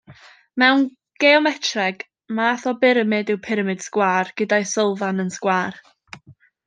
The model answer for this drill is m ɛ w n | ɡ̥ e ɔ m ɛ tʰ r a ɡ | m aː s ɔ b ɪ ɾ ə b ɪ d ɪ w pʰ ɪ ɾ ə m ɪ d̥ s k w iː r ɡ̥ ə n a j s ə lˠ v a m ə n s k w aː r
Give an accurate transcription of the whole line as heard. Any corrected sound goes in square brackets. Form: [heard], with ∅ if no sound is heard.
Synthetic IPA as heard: m ɛ w n | ɡ̥ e ɔ m ɛ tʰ r [ɛ] ɡ | m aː [θ] ɔ b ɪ ɾ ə [m] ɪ d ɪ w pʰ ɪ ɾ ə m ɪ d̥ s k w [aː] r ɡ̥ ə [d] a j s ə lˠ v a [n] ə n s k w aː r